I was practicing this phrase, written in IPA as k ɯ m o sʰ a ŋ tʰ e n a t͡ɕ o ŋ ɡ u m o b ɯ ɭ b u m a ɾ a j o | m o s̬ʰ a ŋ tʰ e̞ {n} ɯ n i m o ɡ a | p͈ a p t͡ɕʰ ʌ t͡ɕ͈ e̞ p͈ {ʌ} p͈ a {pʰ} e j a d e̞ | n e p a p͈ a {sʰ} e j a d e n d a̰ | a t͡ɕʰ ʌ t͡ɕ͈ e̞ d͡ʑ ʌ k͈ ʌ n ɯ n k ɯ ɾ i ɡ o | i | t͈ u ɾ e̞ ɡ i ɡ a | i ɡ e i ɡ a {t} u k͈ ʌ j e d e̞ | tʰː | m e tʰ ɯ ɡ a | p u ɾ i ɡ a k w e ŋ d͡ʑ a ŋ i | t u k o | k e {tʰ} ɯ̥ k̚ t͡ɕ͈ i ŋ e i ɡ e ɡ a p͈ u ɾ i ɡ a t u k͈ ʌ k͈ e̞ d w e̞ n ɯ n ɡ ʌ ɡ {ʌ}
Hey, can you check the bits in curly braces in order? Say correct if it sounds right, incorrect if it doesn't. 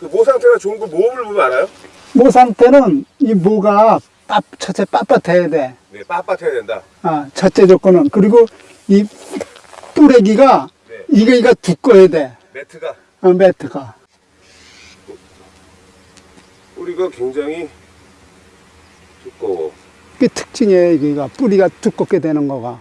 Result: correct, incorrect: a, incorrect: tʰ, incorrect: tʰ, correct, correct, incorrect: a

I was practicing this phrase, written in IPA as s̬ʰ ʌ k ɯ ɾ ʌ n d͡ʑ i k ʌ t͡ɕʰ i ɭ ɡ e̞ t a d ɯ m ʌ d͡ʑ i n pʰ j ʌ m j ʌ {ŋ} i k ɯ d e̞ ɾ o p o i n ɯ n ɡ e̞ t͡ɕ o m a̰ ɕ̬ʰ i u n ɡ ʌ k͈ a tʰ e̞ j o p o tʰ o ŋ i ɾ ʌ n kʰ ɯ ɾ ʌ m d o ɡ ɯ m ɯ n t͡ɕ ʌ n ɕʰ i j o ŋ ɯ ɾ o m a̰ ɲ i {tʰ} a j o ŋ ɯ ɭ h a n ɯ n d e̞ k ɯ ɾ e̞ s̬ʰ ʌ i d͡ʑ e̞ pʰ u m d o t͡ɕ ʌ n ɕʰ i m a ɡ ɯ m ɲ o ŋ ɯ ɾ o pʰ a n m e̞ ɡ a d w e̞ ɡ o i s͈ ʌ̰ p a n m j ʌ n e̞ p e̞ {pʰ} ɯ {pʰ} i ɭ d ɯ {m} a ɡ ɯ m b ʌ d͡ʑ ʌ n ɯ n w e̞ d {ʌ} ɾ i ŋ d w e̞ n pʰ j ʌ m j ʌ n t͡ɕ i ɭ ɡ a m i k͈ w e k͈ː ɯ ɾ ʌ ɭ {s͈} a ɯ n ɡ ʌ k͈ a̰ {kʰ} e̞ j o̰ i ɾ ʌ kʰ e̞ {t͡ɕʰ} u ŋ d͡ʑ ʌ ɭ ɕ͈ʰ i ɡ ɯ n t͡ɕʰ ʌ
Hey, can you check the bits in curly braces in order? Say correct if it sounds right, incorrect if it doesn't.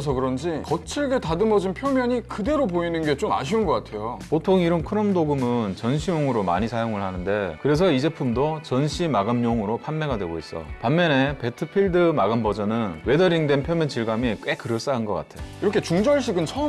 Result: incorrect: ɲ, incorrect: sʰ, incorrect: tʰ, correct, correct, correct, correct, incorrect: tʰ, incorrect: t͡ɕ

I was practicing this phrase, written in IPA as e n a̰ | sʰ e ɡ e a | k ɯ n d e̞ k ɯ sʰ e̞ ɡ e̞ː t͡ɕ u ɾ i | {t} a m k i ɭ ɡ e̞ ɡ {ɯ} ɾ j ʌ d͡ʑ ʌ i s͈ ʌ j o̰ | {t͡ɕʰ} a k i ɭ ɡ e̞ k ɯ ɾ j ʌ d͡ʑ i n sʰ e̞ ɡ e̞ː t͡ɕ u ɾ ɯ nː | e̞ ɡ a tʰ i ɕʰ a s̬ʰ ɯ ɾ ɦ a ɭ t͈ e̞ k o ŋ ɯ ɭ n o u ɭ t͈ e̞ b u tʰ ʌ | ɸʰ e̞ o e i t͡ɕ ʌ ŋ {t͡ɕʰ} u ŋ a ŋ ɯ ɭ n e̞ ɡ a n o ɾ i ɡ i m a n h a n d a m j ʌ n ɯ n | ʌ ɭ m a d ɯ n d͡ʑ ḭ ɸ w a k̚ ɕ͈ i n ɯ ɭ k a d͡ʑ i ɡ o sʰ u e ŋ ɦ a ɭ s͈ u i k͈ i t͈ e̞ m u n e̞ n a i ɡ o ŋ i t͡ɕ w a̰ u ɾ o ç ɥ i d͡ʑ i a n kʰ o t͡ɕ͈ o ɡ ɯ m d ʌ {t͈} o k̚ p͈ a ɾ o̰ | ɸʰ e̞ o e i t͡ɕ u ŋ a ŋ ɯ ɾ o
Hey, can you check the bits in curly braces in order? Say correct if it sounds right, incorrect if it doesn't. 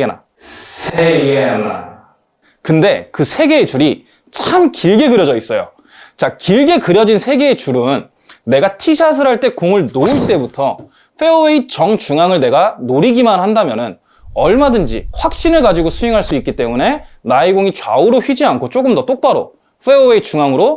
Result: incorrect: t͡ɕʰ, correct, incorrect: t͡ɕ, incorrect: t͡ɕ, correct

